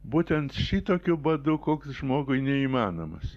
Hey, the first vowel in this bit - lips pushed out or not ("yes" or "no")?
yes